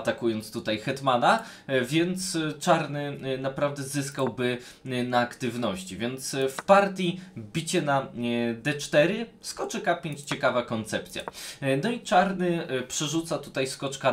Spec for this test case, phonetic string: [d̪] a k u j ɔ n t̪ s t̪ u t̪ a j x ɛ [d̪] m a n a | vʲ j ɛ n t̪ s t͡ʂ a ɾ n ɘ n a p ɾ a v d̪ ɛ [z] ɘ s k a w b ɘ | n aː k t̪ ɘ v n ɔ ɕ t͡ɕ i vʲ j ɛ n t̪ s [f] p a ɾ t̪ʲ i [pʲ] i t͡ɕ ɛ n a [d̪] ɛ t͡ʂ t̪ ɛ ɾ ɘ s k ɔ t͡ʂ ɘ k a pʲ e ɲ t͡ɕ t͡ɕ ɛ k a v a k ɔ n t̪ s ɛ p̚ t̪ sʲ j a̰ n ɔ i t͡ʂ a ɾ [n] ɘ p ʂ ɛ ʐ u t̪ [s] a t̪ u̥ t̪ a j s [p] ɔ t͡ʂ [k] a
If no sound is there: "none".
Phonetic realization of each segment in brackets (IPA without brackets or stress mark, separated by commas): t̪, t̪, z, f, bʲ, d̪, n, s, k, k